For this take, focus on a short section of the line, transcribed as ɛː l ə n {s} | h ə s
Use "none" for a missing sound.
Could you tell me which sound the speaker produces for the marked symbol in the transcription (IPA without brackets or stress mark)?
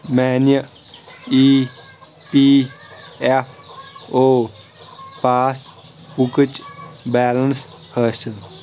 s